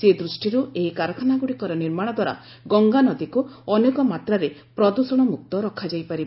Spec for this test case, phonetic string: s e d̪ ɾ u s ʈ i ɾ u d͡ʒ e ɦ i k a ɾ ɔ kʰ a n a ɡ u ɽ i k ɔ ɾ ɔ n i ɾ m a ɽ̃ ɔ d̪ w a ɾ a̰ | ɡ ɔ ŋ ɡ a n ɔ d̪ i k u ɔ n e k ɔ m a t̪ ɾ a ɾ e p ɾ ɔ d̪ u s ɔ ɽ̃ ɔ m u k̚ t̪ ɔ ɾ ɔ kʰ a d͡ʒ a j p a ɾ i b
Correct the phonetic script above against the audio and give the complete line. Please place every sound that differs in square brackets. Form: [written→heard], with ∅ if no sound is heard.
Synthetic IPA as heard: s e d̪ ɾ u s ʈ i ɾ u [d͡ʒ→∅] e ɦ i k a ɾ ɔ kʰ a n a ɡ u ɽ i k ɔ ɾ ɔ n i ɾ m a ɽ̃ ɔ d̪ w a ɾ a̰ | ɡ ɔ ŋ ɡ a n ɔ d̪ i k u ɔ n e k ɔ m a t̪ ɾ a ɾ e p ɾ ɔ d̪ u s ɔ ɽ̃ ɔ m u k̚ t̪ ɔ ɾ ɔ kʰ a d͡ʒ a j p a ɾ i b